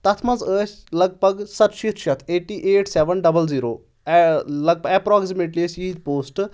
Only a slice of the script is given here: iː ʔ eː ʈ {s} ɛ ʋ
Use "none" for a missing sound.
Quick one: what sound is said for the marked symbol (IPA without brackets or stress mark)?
s